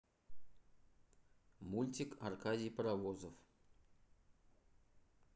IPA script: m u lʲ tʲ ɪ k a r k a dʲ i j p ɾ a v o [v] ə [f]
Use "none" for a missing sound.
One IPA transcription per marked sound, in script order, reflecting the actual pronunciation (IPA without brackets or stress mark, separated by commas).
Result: z, f